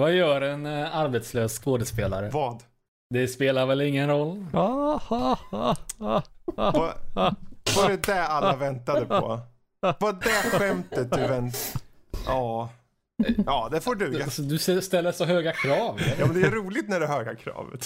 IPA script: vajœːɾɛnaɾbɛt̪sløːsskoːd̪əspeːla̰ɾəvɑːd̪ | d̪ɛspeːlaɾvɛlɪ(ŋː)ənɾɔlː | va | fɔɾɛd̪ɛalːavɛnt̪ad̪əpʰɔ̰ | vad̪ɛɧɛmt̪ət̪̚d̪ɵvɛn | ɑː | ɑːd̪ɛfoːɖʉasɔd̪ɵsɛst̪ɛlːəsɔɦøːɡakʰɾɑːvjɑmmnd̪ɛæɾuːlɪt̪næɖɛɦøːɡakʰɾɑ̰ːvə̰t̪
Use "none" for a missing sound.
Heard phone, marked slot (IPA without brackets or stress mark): ŋː